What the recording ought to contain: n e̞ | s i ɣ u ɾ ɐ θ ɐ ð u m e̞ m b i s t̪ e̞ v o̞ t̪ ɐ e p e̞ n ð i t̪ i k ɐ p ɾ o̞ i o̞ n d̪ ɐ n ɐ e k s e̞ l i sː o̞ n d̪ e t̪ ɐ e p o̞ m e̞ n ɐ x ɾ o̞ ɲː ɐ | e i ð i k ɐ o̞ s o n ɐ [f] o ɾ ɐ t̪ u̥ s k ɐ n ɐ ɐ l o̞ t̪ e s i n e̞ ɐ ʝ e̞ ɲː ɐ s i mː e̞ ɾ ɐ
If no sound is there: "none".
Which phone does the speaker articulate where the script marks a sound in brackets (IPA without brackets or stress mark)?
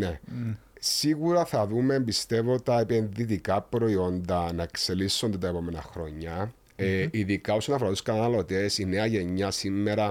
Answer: f